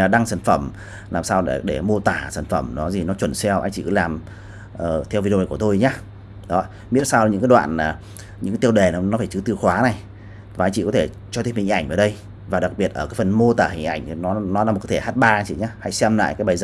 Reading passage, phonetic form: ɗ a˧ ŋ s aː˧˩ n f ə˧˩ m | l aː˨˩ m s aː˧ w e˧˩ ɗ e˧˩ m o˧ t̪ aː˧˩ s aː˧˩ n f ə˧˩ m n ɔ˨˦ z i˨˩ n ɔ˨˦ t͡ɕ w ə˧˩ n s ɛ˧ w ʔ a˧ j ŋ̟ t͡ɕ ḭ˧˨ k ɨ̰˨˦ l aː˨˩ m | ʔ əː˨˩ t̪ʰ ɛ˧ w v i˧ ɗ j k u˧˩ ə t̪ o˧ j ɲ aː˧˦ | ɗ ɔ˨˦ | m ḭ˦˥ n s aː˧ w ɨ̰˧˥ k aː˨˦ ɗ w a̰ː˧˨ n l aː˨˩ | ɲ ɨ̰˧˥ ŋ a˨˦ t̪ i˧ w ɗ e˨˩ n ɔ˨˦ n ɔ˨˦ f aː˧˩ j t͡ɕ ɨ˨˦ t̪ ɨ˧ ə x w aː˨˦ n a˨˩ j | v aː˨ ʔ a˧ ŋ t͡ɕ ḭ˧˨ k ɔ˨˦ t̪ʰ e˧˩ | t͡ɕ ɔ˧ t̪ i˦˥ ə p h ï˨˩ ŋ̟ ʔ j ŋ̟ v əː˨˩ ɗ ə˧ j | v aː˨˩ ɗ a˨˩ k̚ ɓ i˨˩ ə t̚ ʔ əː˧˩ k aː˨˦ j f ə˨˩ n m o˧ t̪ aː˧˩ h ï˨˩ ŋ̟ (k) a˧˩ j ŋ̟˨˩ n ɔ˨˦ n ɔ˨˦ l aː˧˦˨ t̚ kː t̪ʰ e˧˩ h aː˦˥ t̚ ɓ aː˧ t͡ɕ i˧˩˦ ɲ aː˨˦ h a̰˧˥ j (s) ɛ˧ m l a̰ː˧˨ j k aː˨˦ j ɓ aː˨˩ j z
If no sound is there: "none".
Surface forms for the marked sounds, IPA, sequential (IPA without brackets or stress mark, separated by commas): ʔ, s